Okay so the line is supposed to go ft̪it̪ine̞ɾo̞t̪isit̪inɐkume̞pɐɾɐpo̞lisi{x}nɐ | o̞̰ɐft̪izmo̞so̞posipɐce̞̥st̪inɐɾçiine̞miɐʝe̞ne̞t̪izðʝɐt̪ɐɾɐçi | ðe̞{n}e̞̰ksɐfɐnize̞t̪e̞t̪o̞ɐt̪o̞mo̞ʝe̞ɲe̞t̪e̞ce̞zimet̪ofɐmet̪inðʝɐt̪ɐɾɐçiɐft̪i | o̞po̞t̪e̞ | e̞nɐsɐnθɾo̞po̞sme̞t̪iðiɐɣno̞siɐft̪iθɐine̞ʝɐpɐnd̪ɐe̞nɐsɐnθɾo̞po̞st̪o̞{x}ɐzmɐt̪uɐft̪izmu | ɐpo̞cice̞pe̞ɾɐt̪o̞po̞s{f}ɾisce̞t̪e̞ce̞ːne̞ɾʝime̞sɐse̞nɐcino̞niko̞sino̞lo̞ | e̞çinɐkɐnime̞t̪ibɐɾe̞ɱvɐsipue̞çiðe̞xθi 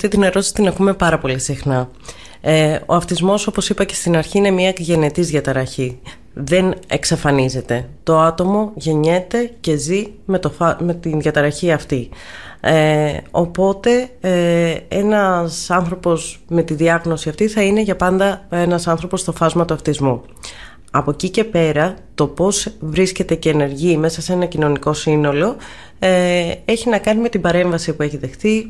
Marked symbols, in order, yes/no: yes, yes, no, no

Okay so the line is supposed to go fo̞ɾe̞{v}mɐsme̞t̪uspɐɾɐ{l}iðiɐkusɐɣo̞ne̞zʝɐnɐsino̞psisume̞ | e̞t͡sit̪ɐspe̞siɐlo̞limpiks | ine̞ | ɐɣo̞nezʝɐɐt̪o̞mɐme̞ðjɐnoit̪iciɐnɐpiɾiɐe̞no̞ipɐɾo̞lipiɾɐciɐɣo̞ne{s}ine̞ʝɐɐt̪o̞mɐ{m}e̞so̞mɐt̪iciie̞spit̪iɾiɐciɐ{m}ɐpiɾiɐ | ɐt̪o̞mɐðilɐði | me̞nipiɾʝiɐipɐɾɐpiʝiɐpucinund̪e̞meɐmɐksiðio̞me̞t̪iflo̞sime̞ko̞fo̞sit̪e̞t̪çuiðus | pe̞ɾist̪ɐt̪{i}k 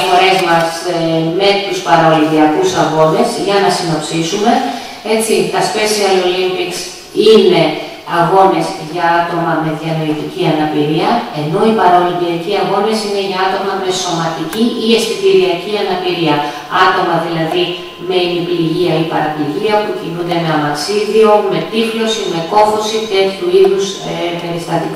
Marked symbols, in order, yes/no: no, yes, yes, yes, no, yes

